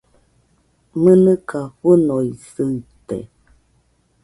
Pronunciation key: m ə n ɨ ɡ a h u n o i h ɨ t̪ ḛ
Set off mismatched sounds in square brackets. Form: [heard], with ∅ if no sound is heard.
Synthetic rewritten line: m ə n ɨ [k] a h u n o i [s] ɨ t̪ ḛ

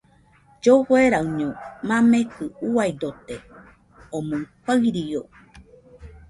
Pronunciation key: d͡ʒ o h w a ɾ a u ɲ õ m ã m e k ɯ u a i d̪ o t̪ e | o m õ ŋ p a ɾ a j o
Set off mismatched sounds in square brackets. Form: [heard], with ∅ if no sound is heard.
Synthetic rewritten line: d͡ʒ o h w [e] ɾ a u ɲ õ m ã m e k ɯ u a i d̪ o t̪ e | o m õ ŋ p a ɾ [i] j o

